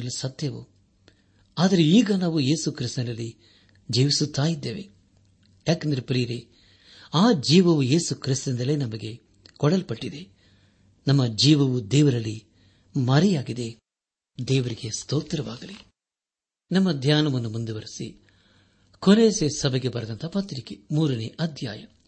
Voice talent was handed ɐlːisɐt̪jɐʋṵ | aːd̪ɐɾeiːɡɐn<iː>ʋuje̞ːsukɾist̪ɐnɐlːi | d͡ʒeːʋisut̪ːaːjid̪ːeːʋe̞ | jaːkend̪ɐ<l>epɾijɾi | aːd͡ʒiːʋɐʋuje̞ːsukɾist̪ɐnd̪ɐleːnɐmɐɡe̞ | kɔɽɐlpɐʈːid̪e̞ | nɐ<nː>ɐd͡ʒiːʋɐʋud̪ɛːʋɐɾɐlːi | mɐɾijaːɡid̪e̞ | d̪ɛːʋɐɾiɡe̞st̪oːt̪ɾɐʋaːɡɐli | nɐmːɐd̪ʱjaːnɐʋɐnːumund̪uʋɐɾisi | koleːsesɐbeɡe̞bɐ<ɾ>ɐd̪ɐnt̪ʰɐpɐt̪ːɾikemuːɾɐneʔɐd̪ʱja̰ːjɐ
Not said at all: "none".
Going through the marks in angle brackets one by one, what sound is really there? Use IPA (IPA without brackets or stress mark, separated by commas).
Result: aː, ɾ, mː, ɾ